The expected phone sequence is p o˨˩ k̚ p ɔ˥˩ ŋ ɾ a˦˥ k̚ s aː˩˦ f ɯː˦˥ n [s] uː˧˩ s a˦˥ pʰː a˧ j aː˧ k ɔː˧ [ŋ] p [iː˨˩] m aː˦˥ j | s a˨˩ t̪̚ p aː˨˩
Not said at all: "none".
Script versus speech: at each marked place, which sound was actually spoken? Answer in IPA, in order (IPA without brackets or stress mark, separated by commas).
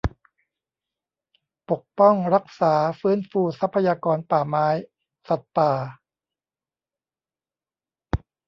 f, n, aː˨˩